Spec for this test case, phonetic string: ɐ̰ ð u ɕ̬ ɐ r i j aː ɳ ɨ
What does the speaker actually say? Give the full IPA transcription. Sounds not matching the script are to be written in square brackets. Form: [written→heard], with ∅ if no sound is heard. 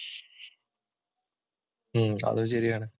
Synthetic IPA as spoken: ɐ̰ ð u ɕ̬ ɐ [r→ɾ] i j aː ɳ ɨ